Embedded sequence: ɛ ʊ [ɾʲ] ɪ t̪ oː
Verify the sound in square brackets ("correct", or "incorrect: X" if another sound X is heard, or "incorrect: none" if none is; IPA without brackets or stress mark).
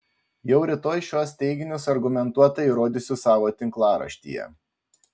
correct